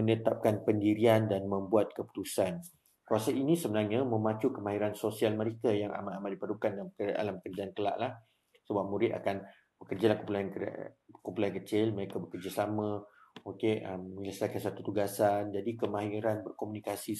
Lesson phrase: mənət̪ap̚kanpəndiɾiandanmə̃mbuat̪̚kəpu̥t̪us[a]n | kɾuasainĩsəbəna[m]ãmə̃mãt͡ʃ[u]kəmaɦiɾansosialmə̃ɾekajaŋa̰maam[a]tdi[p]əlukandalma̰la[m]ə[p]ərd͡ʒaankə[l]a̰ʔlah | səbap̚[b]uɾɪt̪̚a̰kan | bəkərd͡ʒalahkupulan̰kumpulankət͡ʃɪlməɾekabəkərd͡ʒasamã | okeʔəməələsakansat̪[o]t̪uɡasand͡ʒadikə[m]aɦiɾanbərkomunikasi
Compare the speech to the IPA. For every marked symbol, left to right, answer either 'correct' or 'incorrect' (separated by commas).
correct, incorrect, correct, correct, correct, correct, incorrect, correct, incorrect, incorrect, correct